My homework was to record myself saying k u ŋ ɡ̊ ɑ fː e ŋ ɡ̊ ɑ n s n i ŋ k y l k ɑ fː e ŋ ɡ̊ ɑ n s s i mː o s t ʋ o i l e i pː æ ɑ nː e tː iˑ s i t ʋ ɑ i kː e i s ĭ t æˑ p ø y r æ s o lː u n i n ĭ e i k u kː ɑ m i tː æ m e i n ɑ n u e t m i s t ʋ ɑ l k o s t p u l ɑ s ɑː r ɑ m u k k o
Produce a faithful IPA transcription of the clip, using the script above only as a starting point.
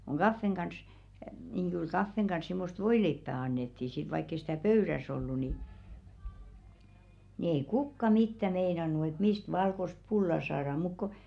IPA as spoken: k u ŋ ɡ̊ ɑ fː e ŋ ɡ̊ ɑ n s n i ŋ k y l k ɑ fː e ŋ ɡ̊ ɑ n s s i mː o s t ʋ o i l e i pː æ ɑ nː e tː iˑ s i t ʋ ɑ i kː e i s ĭ t æˑ p ø y r æ s o lː u n i n ĭ e i k u kː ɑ m i tː æ m e i n ɑ n u e t m i s t ʋ ɑ l k o s t p u lː ɑ s ɑː r ɑ m u k k o